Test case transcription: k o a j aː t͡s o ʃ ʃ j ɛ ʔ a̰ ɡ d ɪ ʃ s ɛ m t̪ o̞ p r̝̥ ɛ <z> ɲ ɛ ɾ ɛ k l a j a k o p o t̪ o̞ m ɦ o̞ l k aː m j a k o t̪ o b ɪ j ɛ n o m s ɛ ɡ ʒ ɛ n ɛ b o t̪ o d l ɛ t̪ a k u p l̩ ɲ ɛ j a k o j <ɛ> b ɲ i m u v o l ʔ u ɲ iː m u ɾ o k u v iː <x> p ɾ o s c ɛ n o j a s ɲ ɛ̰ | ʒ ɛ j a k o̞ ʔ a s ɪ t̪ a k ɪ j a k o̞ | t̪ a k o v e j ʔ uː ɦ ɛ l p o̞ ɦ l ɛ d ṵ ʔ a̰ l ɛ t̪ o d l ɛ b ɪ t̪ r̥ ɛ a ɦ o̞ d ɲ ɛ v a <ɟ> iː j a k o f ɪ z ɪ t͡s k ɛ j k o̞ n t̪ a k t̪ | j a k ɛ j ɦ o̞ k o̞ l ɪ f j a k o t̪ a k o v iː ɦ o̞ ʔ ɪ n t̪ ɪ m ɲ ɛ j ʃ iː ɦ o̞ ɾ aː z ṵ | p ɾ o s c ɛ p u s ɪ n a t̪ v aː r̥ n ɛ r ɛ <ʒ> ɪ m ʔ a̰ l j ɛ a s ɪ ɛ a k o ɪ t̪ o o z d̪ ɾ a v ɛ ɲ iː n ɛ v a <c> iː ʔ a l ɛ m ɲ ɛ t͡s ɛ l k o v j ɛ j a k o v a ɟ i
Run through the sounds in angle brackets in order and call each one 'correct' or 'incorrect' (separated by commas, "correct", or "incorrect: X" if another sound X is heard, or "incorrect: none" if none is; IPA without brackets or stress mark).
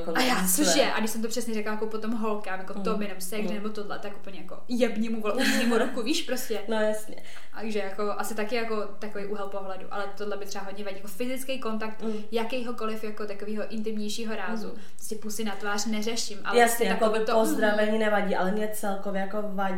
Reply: incorrect: s, correct, incorrect: ʃ, correct, incorrect: ʃ, incorrect: ɟ